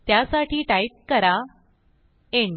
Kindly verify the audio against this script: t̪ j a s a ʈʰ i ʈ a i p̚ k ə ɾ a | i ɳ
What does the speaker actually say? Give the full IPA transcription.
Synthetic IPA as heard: t̪ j a s a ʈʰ iː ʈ a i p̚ k ə ɾ a | e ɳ